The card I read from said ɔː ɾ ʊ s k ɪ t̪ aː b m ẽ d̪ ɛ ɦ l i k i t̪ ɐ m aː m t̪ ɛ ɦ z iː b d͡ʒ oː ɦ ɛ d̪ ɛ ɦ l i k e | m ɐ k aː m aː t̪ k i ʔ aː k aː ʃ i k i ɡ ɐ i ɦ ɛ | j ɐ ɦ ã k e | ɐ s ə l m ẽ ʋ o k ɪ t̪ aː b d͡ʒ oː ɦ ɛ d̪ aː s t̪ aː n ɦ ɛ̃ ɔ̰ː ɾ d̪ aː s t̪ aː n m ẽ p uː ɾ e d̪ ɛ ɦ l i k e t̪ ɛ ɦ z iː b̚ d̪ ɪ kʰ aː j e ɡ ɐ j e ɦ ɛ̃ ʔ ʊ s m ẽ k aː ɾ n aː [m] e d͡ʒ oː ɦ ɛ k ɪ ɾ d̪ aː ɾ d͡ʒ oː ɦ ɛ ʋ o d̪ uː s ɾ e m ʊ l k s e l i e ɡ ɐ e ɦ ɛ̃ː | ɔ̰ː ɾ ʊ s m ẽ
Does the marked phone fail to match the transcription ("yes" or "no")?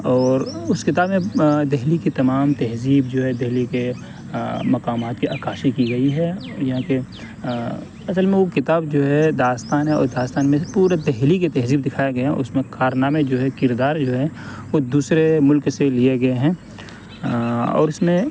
no